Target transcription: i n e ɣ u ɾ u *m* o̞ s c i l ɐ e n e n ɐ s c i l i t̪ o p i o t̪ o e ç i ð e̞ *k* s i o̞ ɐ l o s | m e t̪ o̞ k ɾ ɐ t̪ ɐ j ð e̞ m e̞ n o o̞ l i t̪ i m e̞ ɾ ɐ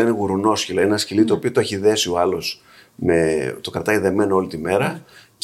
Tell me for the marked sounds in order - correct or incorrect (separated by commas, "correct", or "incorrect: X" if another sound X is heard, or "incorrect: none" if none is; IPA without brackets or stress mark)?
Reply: incorrect: n, incorrect: none